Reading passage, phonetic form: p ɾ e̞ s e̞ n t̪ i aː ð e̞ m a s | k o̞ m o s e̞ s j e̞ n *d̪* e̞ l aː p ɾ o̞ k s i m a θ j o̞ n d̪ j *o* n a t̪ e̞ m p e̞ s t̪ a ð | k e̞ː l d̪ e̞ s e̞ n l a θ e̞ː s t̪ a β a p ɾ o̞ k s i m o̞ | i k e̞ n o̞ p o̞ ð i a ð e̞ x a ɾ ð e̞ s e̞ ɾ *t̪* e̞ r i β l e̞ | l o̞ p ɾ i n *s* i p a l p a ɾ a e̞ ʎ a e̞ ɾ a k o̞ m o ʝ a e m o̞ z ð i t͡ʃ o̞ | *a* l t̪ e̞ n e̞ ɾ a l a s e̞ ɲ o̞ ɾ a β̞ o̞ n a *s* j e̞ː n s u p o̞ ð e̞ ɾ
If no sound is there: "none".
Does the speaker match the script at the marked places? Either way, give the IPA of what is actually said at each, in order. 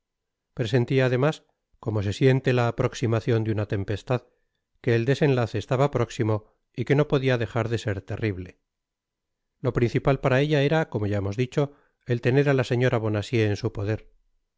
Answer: t̪, u, t̪, θ, e, s

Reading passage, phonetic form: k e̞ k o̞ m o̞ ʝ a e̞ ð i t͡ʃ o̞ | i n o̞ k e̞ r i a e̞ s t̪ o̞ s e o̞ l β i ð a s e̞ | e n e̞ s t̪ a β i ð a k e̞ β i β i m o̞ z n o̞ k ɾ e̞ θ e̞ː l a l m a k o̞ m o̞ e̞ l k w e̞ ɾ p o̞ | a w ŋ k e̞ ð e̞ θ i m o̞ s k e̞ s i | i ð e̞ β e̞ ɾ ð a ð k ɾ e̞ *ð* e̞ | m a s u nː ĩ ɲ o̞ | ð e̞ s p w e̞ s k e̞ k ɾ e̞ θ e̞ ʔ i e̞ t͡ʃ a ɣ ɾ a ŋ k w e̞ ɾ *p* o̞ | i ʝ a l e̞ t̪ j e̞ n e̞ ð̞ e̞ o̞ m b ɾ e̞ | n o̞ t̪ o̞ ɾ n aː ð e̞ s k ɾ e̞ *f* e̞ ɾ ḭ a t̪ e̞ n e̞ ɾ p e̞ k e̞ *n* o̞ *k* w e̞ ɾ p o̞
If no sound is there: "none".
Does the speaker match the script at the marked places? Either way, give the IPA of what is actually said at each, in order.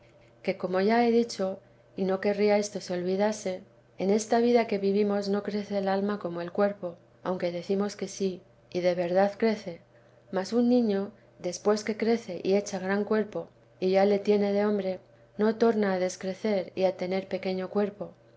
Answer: θ, p, θ, ɲ, k

